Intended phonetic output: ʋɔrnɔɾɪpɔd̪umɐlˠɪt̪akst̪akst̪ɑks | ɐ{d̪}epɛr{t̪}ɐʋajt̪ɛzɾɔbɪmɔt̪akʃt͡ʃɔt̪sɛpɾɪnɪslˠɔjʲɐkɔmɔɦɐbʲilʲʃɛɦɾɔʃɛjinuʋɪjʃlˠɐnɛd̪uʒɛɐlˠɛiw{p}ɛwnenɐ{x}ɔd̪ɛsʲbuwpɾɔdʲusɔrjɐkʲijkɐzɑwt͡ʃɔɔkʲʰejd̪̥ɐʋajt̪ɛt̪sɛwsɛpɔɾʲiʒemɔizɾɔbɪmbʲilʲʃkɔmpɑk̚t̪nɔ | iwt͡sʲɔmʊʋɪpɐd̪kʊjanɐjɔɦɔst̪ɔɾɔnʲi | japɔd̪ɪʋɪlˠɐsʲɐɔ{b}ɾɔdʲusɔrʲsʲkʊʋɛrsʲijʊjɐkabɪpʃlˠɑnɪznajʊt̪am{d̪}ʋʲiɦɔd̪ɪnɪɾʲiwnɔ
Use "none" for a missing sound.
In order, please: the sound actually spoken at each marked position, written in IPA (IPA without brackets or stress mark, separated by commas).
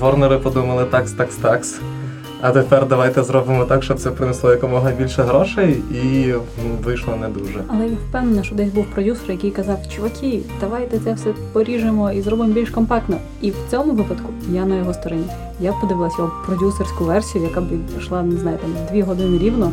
t̪, d̪, p, ʃ, p, d̪